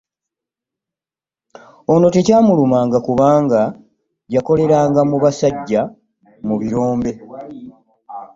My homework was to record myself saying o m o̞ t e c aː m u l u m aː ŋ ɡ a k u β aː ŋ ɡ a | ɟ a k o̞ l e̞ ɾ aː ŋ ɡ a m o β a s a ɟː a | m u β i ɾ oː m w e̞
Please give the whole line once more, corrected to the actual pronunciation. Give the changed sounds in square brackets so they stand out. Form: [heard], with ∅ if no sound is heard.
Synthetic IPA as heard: o [n] o̞ t e c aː m u l u m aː ŋ ɡ a k u β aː ŋ ɡ a | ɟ a k o̞ l e̞ ɾ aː ŋ ɡ a m [u] β a s a ɟː a | m u β i ɾ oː m [b] e̞